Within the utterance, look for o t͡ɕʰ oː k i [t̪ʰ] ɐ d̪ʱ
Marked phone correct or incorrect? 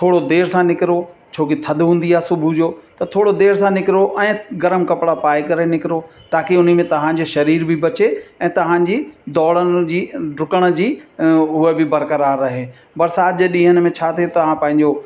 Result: correct